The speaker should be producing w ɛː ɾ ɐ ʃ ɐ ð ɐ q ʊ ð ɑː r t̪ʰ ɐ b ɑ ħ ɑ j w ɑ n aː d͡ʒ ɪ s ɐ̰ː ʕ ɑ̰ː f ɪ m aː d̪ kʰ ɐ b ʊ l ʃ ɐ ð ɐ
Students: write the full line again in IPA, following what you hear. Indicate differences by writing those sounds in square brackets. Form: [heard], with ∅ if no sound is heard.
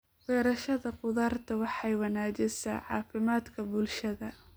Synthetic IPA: w ɛː ɾ ɐ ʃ ɐ ð ɐ q ʊ ð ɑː r t̪ʰ ɐ [w] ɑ ħ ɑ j w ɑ n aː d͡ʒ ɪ s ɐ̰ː ʕ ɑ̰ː f ɪ m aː d̪ kʰ ɐ b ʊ l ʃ ɐ ð ɐ